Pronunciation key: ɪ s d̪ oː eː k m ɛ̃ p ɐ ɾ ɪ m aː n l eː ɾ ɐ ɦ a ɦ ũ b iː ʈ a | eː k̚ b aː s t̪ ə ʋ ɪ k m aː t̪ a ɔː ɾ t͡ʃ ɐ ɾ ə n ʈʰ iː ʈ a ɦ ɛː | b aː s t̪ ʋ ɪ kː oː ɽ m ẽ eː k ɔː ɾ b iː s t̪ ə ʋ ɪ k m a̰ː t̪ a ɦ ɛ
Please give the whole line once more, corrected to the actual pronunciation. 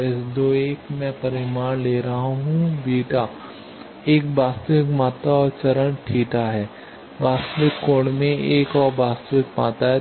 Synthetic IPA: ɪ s d̪ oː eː k m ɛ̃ p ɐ ɾ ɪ m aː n l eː ɾ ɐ ɦ a ɦ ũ b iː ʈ a | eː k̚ b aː s t̪ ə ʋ ɪ k m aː t̪ a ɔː ɾ t͡ʃ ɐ ɾ ə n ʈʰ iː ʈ a ɦ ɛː | b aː s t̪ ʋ ɪ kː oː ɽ m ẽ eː k ɔː ɾ b aː s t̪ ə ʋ ɪ k m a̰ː t̪ a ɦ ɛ

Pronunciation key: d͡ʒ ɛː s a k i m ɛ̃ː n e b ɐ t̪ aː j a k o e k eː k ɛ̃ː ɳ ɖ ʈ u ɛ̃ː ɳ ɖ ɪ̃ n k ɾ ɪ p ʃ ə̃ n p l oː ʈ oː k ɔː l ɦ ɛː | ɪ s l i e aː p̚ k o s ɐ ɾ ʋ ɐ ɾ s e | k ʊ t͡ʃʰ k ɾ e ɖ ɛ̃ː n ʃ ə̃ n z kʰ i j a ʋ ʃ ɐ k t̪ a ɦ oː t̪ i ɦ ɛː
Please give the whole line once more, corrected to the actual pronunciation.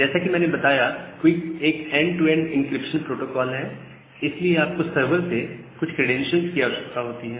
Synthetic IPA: d͡ʒ ɛː s a k i m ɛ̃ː n e b ɐ t̪ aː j a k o i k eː k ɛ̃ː ɳ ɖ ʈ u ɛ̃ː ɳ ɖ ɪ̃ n k ɾ ɪ p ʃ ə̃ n p ɾ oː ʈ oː k ɔː l ɦ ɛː | ɪ s l i e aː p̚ k o s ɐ ɾ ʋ ə ɾ s e | k ʊ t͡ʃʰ k ɾ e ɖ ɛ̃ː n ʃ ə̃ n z k i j a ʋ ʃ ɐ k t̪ a ɦ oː t̪ i ɦ ɛː

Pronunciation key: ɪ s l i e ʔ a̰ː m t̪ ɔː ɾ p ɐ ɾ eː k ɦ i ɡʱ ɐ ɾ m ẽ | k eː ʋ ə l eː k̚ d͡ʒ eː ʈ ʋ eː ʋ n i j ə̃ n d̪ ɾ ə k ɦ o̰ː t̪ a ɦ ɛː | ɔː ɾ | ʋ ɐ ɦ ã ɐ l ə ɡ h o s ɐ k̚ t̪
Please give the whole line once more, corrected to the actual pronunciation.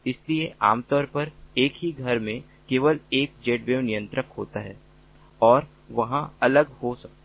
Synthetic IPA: ɪ s l i e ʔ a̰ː m t̪ ɔː ɾ p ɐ ɾ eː k ɦ i ɡʱ ɐ ɾ m ẽ | k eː ʋ ə l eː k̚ d͡ʒ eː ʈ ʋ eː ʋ n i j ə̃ n t̪ ɾ ə k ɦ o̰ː t̪ a ɦ ɛː | ɔː ɾ | ʋ ɐ ɦ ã ɐ l ə ɡ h o s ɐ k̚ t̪

